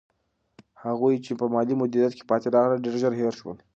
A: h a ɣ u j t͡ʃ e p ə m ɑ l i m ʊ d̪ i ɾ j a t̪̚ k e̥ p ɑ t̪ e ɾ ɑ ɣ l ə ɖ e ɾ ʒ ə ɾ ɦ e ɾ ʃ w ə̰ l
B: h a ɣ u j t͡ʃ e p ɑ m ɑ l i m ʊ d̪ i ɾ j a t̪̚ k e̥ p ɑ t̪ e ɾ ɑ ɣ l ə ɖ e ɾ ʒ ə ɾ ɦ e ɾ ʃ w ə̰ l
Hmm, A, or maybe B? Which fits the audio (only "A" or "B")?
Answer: A